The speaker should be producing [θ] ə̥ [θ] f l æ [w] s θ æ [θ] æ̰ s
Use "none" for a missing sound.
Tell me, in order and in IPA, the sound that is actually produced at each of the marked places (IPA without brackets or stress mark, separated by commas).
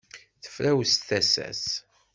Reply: θ, none, w, s